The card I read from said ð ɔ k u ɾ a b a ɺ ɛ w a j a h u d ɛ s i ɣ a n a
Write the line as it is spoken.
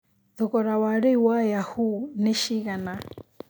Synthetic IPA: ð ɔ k ɔ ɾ a w a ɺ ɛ w a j a h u n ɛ ʃ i ɣ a n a